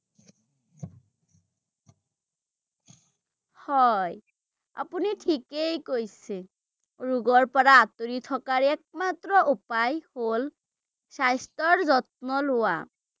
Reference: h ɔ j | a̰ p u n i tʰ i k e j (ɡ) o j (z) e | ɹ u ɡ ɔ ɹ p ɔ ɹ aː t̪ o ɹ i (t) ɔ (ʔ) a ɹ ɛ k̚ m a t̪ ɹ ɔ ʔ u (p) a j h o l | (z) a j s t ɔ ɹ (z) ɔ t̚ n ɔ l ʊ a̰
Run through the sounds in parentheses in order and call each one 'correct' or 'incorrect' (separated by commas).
incorrect, incorrect, incorrect, incorrect, correct, incorrect, correct